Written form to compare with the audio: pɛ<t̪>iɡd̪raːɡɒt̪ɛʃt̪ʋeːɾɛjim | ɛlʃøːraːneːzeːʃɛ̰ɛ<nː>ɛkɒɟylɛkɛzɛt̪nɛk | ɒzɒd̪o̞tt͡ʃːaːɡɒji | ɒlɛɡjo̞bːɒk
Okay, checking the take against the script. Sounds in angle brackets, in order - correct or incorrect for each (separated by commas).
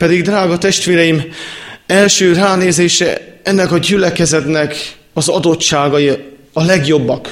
incorrect, correct